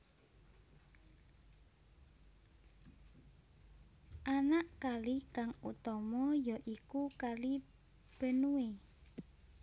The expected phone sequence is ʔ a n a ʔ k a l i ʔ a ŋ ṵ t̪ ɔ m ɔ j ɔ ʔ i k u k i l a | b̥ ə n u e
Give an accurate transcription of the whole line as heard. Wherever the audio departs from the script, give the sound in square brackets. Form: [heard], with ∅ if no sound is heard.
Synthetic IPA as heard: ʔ a n a ʔ k a l i [k] a ŋ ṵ t̪ ɔ m ɔ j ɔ ʔ i k u k [a] l [i] | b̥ ə n u e

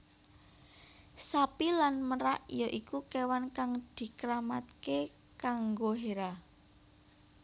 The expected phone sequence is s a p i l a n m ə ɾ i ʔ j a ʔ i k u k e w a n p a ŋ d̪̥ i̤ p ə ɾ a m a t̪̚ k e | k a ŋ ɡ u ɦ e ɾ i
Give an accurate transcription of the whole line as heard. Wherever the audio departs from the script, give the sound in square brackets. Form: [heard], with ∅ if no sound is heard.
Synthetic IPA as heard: s a p i l a n m ə ɾ [a] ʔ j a ʔ i k u k e w a n [k] a ŋ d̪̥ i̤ [k] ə ɾ a m a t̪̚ k e | k a ŋ ɡ [o] ɦ e ɾ [a]

